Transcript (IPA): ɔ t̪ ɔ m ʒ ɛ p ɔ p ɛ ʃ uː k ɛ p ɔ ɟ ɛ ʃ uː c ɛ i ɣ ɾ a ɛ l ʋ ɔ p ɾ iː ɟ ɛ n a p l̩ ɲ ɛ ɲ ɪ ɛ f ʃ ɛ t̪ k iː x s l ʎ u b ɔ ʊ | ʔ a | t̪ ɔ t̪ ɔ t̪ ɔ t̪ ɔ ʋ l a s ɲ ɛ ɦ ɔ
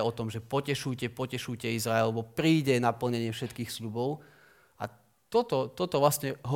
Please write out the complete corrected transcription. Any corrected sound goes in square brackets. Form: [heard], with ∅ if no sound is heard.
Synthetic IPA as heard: ɔ t̪ ɔ m ʒ ɛ p ɔ [c] ɛ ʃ uː [c] ɛ p ɔ [c] ɛ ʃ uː c ɛ i [z] ɾ a ɛ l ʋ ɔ p ɾ iː ɟ ɛ n a p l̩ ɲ ɛ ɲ ɪ ɛ f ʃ ɛ t̪ k iː x s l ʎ u b ɔ ʊ | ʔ a | t̪ ɔ t̪ ɔ t̪ ɔ t̪ ɔ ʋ l a s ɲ ɛ ɦ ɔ